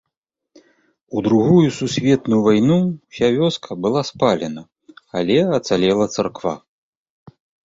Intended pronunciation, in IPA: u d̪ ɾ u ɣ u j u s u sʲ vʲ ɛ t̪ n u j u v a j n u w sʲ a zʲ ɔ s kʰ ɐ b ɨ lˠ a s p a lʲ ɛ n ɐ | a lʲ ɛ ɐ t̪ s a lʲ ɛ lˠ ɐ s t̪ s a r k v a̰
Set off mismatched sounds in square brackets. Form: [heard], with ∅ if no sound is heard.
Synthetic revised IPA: u d̪ ɾ u ɣ u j u s u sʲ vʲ ɛ t̪ n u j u v a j n u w sʲ a [vʲ] ɔ s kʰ ɐ b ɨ lˠ a s p a lʲ ɛ n ɐ | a lʲ ɛ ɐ t̪ s a lʲ ɛ lˠ ɐ [∅] t̪ s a r k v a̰